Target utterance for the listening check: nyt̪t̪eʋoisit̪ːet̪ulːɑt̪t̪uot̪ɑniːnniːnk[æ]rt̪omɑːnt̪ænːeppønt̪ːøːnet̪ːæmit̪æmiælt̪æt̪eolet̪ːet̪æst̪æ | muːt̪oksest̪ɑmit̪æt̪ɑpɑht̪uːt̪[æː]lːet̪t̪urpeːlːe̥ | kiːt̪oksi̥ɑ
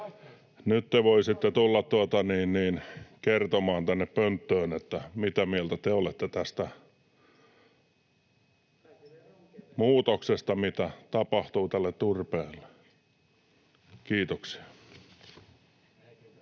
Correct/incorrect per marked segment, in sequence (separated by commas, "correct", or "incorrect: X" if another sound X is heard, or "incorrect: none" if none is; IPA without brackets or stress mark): incorrect: e, incorrect: æ